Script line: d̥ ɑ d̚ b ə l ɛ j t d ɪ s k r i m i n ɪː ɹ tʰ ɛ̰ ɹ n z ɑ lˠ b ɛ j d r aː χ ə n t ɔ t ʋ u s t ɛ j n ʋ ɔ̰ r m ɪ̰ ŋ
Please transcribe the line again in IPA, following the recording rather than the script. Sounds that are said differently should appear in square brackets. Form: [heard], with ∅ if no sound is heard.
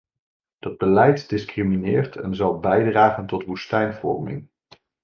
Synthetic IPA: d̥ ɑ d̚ b ə l ɛ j t d ɪ s k r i m i n ɪː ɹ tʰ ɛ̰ [∅] n z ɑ lˠ b ɛ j d r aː χ ə n t ɔ t ʋ u s t ɛ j n [v] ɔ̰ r m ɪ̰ ŋ

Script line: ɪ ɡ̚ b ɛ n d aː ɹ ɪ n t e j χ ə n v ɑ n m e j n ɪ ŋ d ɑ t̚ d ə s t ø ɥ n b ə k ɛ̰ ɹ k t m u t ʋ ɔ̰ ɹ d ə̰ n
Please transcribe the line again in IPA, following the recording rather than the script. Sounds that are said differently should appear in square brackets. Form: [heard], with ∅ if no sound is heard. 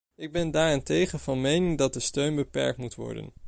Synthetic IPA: ɪ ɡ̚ b ɛ n d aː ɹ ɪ n t e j χ ə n v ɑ n m e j n ɪ ŋ d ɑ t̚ d ə s t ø ɥ n b ə [p] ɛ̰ ɹ k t m u t ʋ ɔ̰ ɹ d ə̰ n

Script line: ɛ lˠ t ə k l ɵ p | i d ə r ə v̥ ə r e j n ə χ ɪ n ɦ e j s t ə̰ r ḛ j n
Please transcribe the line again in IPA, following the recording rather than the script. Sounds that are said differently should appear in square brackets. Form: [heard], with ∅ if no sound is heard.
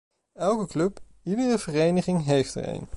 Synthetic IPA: ɛ lˠ [k] ə k l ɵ p | i d ə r ə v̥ ə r e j n ə χ ɪ [ŋ] ɦ e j [f] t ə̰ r ḛ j n

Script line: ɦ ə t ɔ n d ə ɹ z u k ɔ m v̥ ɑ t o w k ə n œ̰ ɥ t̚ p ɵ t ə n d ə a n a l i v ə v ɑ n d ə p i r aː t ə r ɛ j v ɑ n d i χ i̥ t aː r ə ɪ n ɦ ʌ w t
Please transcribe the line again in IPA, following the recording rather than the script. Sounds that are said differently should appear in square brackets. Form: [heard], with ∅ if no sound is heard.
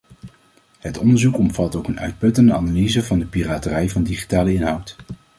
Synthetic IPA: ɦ ə t ɔ n d ə ɹ z u k ɔ m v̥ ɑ t o w k ə n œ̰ ɥ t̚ p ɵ t ə n d ə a n a l i [z] ə v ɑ n d ə p i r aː t ə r ɛ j v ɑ n d i χ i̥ t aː [l] ə ɪ n ɦ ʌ w t

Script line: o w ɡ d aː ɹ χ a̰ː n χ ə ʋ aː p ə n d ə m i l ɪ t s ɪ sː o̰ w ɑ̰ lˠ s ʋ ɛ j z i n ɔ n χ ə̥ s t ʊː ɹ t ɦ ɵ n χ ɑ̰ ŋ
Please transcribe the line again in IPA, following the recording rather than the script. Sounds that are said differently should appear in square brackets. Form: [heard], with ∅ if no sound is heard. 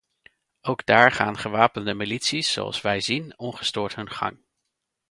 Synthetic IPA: o w ɡ d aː ɹ χ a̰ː n χ ə ʋ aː p ə n d ə m i l [i] t s [i] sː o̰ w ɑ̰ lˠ s ʋ ɛ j z i n ɔ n χ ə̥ s t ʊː ɹ t ɦ ɵ n χ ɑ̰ ŋ

